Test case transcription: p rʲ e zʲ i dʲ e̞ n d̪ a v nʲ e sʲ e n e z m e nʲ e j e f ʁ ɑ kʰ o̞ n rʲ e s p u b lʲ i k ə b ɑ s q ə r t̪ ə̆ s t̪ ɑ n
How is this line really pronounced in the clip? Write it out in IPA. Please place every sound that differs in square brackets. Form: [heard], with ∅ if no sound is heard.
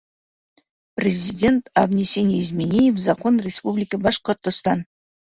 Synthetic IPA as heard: p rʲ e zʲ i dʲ e̞ n [t̪] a v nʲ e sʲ e n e z m e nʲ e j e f [z] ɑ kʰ o̞ n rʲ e s p u b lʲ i k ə b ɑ [ʃ] q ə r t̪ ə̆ s t̪ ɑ n